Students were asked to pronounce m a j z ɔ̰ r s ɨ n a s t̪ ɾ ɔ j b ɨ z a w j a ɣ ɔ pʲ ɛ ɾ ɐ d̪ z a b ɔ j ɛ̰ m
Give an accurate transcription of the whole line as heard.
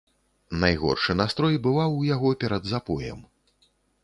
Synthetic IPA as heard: n a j ɣ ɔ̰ r ʂ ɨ n a s t̪ ɾ ɔ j b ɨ v a w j a ɣ ɔ pʲ ɛ ɾ ɐ d̪ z a p ɔ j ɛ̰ m